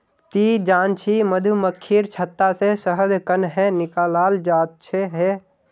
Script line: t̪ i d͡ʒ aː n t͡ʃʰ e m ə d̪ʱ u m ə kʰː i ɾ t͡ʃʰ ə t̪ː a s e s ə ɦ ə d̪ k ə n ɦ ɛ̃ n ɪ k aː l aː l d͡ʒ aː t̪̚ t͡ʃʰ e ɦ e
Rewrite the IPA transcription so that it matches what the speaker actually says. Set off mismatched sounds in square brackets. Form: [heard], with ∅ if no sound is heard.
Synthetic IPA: t̪ i d͡ʒ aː n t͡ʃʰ [i] m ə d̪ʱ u m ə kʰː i ɾ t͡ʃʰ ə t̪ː a s e s ə ɦ ə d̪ k ə n ɦ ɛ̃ n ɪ k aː l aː l d͡ʒ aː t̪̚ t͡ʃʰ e ɦ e

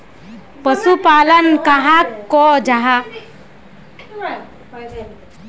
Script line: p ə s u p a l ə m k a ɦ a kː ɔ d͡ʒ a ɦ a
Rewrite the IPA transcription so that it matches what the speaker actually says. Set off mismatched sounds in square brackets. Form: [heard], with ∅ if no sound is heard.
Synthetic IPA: p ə s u p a l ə [n] k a ɦ a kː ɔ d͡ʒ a ɦ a

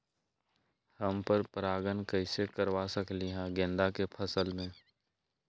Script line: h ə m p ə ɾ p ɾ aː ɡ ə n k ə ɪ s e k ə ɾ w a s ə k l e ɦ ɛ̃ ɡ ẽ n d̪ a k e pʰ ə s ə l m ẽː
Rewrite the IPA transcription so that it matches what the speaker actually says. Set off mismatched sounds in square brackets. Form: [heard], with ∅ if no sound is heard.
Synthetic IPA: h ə m p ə ɾ p ɾ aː ɡ ə n k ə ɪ s e k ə ɾ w a s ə k l [i] ɦ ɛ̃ ɡ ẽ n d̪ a k e pʰ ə s ə l m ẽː

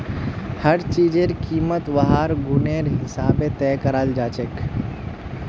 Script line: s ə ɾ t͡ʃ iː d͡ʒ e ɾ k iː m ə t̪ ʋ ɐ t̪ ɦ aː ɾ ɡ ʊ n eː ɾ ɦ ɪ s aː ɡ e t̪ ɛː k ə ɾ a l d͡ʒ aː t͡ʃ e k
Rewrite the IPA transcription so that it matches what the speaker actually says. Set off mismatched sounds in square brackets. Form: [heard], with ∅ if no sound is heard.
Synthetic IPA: [h] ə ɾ t͡ʃ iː d͡ʒ e ɾ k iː m ə t̪ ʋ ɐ [∅] ɦ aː ɾ ɡ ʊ n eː ɾ ɦ ɪ s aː [b] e t̪ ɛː k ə ɾ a l d͡ʒ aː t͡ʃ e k

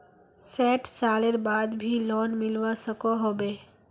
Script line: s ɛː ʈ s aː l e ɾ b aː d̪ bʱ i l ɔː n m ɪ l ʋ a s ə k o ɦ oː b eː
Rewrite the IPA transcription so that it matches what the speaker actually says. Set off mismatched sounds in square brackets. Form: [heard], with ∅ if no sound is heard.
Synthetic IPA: s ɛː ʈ s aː l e ɾ b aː d̪ bʱ i l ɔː n m ɪ l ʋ a s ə k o ɦ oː b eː

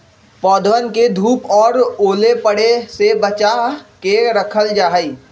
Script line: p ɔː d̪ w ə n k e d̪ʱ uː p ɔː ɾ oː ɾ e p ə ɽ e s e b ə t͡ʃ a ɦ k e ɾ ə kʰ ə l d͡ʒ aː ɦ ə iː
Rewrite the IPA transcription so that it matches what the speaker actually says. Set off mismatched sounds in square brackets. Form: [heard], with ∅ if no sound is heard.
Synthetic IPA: p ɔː d̪ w ə n k e d̪ʱ uː p ɔː ɾ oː [l] e p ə ɽ e s e b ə t͡ʃ a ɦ k e ɾ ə kʰ ə l d͡ʒ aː ɦ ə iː

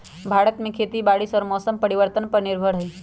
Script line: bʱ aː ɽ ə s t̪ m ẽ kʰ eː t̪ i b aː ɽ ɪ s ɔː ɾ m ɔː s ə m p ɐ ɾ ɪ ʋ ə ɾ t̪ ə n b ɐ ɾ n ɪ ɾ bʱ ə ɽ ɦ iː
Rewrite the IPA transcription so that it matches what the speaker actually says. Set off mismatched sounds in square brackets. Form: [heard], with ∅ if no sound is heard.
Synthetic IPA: bʱ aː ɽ ə [∅] t̪ m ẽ kʰ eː t̪ i b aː ɽ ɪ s ɔː ɾ m ɔː s ə m p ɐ ɾ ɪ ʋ ə ɾ t̪ ə n [p] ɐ ɾ n ɪ ɾ bʱ ə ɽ ɦ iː

